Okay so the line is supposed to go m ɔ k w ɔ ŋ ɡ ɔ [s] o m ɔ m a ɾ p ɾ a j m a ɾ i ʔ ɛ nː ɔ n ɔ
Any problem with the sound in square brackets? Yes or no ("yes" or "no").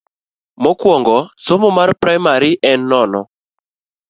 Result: no